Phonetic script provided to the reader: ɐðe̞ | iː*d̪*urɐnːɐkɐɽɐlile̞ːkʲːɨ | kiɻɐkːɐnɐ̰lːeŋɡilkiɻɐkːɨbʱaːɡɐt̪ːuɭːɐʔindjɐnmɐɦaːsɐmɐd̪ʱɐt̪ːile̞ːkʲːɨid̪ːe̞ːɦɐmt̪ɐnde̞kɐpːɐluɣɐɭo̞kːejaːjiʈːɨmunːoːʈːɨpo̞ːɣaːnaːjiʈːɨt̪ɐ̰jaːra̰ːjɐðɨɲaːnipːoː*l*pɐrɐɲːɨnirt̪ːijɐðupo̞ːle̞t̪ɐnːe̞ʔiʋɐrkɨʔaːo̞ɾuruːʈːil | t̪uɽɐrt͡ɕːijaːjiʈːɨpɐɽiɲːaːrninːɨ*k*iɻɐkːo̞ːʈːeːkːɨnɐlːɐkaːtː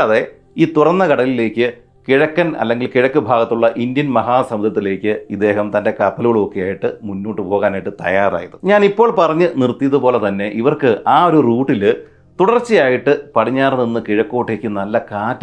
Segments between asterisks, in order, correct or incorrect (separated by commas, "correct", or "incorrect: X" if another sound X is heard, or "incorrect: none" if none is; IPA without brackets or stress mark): incorrect: t̪, incorrect: ɭ, correct